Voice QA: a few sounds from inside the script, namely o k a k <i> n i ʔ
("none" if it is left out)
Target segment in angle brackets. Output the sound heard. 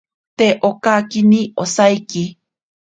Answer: i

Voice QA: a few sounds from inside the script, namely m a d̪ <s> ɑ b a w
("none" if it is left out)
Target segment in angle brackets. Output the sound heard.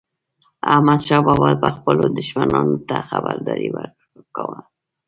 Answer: ʃ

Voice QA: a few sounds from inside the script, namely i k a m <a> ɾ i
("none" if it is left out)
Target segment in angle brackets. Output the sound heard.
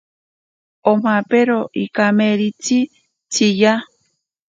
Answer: e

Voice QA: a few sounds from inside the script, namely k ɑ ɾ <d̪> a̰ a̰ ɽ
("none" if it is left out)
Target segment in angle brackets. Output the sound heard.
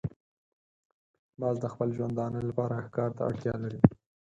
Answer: t̪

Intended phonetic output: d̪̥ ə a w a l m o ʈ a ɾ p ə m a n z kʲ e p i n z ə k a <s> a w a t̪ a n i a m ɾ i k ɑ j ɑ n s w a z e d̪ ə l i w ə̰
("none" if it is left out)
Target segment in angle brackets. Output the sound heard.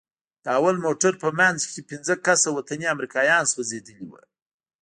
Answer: s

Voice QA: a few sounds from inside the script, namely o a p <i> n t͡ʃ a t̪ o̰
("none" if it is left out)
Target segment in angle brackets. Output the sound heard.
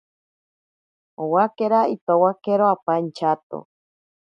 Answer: a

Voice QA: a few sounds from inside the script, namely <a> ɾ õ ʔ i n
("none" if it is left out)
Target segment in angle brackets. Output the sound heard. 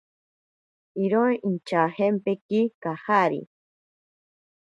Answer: i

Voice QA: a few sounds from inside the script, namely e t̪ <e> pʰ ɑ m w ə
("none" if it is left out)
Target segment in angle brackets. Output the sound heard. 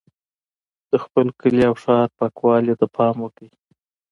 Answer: a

